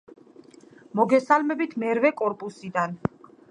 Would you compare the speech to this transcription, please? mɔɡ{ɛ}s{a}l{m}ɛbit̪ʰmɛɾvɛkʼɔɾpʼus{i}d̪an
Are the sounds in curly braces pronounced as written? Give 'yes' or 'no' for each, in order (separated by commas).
yes, yes, yes, yes